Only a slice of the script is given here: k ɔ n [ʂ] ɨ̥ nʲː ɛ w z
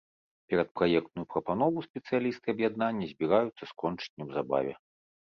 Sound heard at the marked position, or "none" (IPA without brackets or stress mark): t͡ʂ